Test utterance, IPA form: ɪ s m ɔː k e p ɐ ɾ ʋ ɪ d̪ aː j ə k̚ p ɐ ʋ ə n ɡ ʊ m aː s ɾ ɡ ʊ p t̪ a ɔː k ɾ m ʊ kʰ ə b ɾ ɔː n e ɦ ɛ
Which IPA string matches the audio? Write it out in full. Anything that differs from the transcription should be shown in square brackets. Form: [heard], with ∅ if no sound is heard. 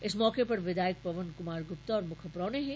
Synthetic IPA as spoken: ɪ s m ɔː k e p ɐ ɾ ʋ ɪ d̪ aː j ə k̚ p ɐ ʋ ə n [k] ʊ m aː [∅] ɾ ɡ ʊ p t̪ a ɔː [∅] ɾ m ʊ kʰ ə [p] ɾ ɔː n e ɦ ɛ